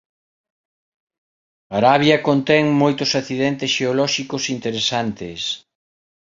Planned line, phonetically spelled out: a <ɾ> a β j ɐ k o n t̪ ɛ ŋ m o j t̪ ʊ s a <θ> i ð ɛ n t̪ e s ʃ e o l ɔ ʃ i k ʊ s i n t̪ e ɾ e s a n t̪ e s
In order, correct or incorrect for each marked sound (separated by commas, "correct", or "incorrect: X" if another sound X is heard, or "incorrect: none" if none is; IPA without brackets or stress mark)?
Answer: correct, correct